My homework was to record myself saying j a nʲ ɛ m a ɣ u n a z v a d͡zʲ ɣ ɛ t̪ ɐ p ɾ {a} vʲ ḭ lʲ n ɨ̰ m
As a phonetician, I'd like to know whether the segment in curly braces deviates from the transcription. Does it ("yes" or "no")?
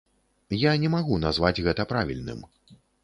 no